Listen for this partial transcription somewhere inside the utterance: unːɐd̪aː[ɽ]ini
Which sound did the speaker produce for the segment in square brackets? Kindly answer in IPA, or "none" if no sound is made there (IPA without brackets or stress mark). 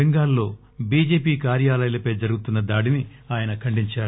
ɽ